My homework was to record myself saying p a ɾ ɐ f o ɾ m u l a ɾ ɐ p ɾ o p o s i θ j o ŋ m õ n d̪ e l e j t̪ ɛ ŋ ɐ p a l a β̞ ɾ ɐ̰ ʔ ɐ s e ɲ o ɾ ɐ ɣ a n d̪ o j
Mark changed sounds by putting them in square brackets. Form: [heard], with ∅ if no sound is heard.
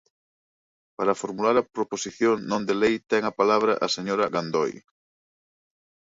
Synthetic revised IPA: p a ɾ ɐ f o ɾ m u l a ɾ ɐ p ɾ o p o s i θ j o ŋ [n] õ n d̪ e l e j t̪ ɛ ŋ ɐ p a l a β̞ ɾ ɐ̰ ʔ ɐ s e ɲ o ɾ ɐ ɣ a n d̪ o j